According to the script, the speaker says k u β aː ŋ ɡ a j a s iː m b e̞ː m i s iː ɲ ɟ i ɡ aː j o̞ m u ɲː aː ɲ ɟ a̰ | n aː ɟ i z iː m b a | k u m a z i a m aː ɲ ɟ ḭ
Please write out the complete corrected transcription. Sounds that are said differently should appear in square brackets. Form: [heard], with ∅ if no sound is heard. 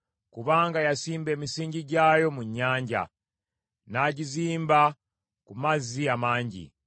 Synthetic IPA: k u β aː ŋ ɡ a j a s iː m b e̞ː m i s iː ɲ ɟ i [ɟ] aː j o̞ m u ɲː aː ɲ ɟ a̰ | n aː ɟ i z iː m b a | k u m a z i a m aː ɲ ɟ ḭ